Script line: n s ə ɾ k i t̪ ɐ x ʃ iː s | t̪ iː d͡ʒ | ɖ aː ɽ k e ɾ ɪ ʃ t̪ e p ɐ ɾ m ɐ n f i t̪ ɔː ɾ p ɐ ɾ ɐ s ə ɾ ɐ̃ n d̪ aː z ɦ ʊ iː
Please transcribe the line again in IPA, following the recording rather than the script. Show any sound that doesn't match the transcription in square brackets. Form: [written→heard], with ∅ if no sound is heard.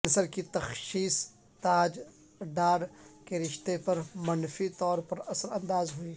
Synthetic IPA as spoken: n s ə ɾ k i t̪ ɐ x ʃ iː s | t̪ [iː→aː] d͡ʒ | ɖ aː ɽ k e ɾ ɪ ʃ t̪ e p ɐ ɾ m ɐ n f i t̪ ɔː ɾ p ɐ ɾ ɐ s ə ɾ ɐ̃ n d̪ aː z ɦ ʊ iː